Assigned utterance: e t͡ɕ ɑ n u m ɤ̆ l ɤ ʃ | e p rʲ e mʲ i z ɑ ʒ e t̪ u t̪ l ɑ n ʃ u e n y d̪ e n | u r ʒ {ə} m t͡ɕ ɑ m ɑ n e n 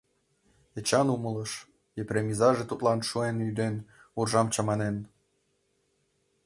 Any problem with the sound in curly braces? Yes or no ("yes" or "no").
yes